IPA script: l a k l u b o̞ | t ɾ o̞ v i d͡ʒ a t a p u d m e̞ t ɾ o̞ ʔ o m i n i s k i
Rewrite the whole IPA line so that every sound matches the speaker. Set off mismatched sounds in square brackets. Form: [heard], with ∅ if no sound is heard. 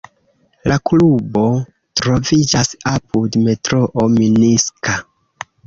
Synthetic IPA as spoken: l a k l u b o̞ | t ɾ o̞ v i d͡ʒ a [s] a p u d m e̞ t ɾ o̞ ʔ o m i n i s k [a]